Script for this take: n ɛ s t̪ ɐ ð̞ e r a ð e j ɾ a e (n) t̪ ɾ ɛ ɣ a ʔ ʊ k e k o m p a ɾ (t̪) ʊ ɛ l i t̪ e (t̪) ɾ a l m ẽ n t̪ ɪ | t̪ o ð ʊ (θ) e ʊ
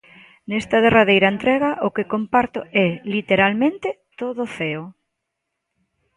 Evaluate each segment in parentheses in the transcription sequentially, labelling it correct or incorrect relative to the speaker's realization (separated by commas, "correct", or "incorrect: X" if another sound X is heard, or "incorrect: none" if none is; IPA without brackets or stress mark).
correct, correct, incorrect: none, correct